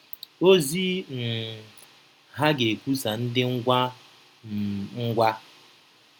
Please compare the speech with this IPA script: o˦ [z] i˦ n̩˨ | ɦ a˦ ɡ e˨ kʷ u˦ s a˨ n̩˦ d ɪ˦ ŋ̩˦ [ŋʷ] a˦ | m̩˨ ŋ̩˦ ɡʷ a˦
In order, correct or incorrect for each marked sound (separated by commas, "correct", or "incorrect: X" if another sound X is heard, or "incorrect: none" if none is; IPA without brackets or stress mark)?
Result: correct, incorrect: ɡʷ